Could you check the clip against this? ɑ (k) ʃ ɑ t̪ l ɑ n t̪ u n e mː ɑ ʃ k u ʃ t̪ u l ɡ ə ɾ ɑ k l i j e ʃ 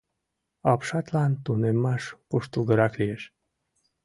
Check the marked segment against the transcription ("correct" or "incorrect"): incorrect